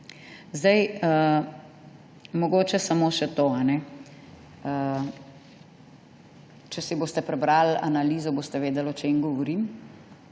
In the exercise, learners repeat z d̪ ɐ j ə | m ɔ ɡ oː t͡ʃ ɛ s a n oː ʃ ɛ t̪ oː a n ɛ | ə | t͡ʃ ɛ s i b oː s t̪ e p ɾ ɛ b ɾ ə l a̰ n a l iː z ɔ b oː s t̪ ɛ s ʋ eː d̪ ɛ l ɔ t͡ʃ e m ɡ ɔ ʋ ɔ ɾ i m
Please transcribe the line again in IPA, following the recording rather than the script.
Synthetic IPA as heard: z d̪ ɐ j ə | m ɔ ɡ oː t͡ʃ ɛ s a m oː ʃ ɛ t̪ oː a n ɛ | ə | t͡ʃ ɛ s i b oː s t̪ ɛ p ɾ ɛ b ɾ a l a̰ n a l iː z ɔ b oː s t̪ ɛ ʋ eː d̪ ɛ l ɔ t͡ʃ e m ɡ ɔ ʋ ɔ ɾ i m

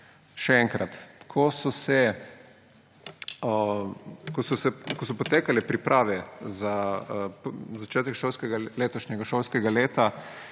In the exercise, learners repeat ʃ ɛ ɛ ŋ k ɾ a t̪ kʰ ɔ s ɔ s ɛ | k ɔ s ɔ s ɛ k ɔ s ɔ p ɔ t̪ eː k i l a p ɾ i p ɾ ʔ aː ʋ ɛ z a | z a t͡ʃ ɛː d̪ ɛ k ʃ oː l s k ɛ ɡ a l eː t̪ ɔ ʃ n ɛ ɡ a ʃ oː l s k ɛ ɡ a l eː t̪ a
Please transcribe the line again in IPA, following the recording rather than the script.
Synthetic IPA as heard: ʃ ɛ ɛ ŋ k ɾ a t̪ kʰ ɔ s ɔ s ɛ | k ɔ s ɔ s ɛ k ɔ s ɔ p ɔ t̪ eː k a l ɛ p ɾ i p ɾ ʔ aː ʋ ɛ z a | z a t͡ʃ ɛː t̪ ɛ k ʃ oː l s k ɛ ɡ a l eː t̪ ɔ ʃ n ɛ ɡ a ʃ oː l s k ɛ ɡ a l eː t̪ a

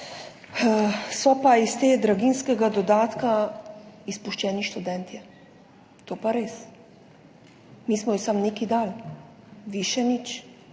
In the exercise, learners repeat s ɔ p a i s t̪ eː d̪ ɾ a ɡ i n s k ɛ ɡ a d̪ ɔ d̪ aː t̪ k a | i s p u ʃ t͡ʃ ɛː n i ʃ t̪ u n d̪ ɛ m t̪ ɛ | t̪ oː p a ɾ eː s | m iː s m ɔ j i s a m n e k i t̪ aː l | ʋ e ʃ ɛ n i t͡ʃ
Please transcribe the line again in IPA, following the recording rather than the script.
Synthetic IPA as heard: s ɔ p a i s t̪ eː d̪ ɾ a ɡ i n s k ɛ ɡ a d̪ ɔ d̪ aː t̪ k a | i s p u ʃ t͡ʃ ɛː n i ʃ t̪ u d̪ ɛ n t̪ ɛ | t̪ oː p a ɾ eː s | m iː s m ɔ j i s a m n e k i d̪ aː l | ʋ i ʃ ɛ n i t͡ʃ

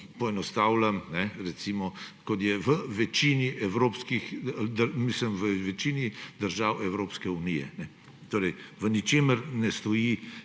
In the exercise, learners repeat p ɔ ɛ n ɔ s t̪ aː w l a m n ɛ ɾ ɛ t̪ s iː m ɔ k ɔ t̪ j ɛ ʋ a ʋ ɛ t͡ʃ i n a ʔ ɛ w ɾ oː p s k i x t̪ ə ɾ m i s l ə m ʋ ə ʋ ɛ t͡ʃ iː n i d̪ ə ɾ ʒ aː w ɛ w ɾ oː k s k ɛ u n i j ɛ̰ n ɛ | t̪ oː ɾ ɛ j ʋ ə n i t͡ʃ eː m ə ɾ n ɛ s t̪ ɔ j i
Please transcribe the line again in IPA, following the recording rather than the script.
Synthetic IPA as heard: p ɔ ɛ n ɔ s t̪ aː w l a m n ɛ ɾ ɛ t̪ s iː m ɔ k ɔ t̪ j ɛ ʋ ə ʋ ɛ t͡ʃ i n i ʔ ɛ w ɾ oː p s k i x d̪ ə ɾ m i s l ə m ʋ ə ʋ ɛ t͡ʃ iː n i d̪ ə ɾ ʒ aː w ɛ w ɾ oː p s k ɛ u n i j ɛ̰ n ɛ | t̪ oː ɾ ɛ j ʋ ə n i t͡ʃ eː m ə ɾ n ɛ s t̪ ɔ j i

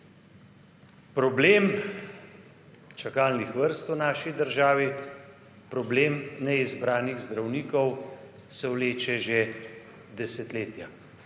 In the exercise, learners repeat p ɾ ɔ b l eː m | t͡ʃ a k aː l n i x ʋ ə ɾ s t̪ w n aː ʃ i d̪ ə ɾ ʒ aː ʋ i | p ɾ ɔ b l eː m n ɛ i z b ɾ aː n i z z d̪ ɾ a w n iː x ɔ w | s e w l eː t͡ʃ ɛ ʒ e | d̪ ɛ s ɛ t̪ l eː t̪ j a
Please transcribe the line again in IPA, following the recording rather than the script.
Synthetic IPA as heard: p ɾ ɔ b l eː m | t͡ʃ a k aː l n i x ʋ ə ɾ s t̪ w n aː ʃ i d̪ ə ɾ ʒ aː ʋ i | p ɾ ɔ b l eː m n ɛ i z b ɾ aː n i ɣ z d̪ ɾ a w n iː k ɔ w | s ɛ w l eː t͡ʃ ɛ ʒ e | d̪ ɛ s ɛ t̪ l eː t̪ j a

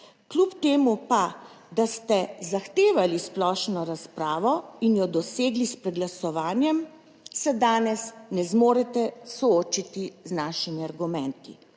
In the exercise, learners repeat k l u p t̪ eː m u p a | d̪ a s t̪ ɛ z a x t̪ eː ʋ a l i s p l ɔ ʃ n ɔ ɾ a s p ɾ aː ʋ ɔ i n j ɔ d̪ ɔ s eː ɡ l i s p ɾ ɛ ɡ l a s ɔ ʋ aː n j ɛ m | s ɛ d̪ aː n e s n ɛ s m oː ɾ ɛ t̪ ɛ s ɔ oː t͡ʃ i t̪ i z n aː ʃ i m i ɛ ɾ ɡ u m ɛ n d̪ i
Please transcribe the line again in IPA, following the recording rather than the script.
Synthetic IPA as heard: k l u p t̪ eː m u p a | d̪ a s t̪ ɛ z a x t̪ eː ʋ a l i s p l ɔ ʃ n ɔ ɾ a s p ɾ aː ʋ ɔ i n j ɔ d̪ ɔ s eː ɡ l i s p ɾ ɛ ɡ l a s ɔ ʋ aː n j ɛ m | s ɛ d̪ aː n ɛ s n ɛ z m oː ɾ ɛ t̪ ɛ s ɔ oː t͡ʃ i t̪ i z n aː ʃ i m i a ɾ ɡ u m ɛ n t̪ i

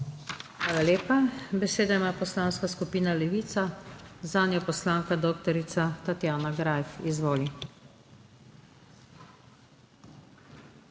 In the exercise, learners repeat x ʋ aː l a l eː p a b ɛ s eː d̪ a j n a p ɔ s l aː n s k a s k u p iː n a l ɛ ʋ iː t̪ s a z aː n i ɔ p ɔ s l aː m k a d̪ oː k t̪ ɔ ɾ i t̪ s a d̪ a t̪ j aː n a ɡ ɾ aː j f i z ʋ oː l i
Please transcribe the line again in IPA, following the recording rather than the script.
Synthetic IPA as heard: x ʋ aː l a l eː p a b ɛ s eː d̪ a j m a p ɔ s l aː n s k a s k u p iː n a l ɛ ʋ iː t̪ s a z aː n j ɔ p ɔ s l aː ŋ k a d̪ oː k t̪ ɔ ɾ i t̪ s a t̪ a t̪ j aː n a ɡ ɾ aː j f i z ʋ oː l i

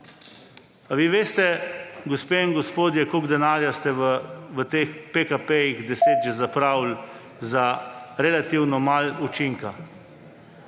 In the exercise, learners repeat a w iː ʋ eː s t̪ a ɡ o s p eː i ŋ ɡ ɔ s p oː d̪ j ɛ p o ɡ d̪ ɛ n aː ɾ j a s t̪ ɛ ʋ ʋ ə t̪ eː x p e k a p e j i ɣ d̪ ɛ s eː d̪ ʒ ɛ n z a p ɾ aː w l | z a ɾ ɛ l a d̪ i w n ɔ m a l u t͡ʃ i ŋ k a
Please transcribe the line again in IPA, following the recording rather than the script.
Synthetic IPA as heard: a ʋ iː ʋ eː s t̪ ɛ ɡ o s p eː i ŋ ɡ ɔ s p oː d̪ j ɛ k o ɡ d̪ ɛ n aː ɾ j a s t̪ ɛ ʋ ʋ ə t̪ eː x p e k a p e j i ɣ d̪ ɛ s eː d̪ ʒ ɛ z a p ɾ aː w l | z a ɾ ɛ l a t̪ i w n ɔ m a l u t͡ʃ i ŋ k a

